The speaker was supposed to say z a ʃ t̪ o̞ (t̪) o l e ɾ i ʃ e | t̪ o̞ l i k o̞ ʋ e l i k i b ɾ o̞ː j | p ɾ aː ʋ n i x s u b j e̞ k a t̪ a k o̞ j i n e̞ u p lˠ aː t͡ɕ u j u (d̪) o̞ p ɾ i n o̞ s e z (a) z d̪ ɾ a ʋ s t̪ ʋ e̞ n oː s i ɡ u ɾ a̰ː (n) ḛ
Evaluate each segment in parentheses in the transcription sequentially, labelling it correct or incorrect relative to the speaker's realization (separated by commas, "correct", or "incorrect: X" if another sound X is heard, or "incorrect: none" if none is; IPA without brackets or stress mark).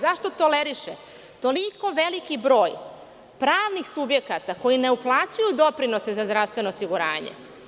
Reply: correct, correct, correct, incorrect: ɲ